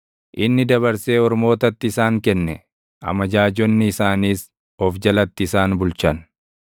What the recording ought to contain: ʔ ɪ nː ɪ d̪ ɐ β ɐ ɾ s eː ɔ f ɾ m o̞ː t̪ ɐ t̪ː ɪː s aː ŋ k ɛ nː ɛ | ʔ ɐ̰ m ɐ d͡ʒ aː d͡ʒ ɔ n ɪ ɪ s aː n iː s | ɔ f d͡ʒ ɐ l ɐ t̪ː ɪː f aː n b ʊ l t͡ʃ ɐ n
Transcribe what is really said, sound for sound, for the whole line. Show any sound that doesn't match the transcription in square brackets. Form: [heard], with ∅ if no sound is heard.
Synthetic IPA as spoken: ʔ ɪ nː ɪ d̪ ɐ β ɐ ɾ s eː ɔ [∅] ɾ m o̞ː t̪ ɐ t̪ː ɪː s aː ŋ k ɛ nː ɛ | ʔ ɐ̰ m ɐ d͡ʒ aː d͡ʒ ɔ [nː] ɪ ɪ s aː n iː s | ɔ f d͡ʒ ɐ l ɐ t̪ː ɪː [s] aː n b ʊ l t͡ʃ ɐ n